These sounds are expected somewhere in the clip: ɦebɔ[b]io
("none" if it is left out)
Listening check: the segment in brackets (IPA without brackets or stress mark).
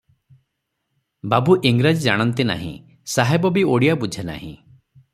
b